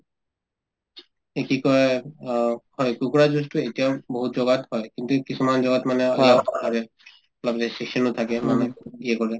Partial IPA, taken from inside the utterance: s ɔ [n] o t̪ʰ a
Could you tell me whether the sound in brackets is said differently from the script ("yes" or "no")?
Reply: no